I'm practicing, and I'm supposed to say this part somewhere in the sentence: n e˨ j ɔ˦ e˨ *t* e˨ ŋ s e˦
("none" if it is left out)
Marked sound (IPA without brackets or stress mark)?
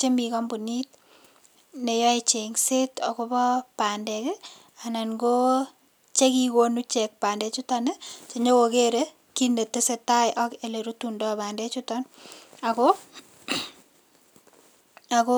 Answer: t͡ʃ